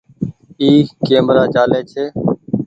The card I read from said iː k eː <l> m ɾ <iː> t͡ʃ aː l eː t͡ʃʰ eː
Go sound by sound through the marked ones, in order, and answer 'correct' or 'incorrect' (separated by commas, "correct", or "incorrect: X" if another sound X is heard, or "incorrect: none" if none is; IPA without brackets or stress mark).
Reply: incorrect: none, incorrect: aː